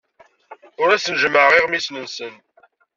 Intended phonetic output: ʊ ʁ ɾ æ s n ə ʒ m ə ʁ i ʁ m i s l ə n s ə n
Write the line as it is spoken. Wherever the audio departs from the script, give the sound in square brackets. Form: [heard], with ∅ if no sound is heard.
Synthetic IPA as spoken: ʊ [∅] ɾ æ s n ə ʒ m ə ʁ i ʁ m i s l ə n s ə n